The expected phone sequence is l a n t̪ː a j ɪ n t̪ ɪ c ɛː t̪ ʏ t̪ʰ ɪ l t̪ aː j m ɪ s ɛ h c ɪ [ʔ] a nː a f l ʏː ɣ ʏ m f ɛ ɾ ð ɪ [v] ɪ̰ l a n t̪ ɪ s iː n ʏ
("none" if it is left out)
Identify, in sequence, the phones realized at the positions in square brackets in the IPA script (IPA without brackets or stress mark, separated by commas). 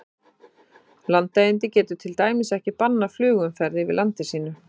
p, v